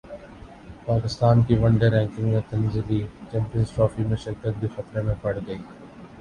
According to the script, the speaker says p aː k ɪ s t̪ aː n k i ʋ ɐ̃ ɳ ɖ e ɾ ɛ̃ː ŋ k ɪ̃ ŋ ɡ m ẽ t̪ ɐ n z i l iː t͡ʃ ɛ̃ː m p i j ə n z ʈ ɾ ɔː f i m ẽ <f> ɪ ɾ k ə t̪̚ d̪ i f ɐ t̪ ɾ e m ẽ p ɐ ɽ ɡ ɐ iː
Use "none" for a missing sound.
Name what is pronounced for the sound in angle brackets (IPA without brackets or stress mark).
ʃ